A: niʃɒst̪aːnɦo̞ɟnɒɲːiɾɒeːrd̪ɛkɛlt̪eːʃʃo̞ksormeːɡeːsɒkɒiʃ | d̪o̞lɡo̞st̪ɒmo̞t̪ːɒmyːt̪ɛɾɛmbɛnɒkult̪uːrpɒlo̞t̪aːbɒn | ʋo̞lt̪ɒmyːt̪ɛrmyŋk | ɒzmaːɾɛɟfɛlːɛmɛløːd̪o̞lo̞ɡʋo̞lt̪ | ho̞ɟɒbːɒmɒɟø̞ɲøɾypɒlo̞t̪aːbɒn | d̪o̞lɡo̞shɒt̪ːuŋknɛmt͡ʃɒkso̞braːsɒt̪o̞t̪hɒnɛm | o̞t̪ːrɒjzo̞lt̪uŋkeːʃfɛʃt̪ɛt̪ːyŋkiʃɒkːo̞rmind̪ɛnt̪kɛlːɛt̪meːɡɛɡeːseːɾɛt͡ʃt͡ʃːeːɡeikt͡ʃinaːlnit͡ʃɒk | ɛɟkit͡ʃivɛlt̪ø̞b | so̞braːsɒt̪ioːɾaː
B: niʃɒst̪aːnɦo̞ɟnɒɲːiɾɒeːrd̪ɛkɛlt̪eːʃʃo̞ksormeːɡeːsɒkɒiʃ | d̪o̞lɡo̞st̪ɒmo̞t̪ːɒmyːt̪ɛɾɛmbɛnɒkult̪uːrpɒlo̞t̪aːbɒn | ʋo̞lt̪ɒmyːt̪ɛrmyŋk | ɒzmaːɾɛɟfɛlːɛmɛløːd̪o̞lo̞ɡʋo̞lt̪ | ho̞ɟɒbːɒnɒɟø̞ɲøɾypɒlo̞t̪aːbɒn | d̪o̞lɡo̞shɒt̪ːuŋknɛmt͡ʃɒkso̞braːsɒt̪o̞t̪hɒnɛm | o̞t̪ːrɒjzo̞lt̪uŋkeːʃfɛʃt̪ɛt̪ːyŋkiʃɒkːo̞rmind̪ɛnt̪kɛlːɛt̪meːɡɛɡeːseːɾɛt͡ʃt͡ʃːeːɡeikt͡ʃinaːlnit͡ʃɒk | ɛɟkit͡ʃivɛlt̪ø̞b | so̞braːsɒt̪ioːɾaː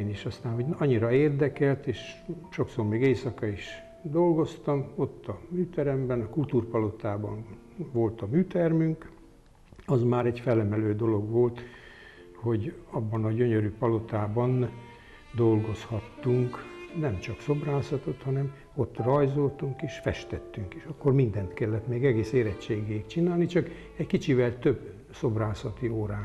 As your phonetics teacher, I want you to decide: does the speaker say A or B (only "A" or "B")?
B